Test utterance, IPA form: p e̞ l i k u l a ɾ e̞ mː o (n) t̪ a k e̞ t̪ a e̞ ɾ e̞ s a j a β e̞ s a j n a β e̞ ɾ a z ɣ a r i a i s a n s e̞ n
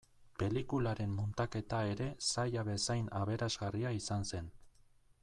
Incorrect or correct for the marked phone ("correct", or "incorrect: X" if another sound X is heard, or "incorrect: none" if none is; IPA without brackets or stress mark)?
correct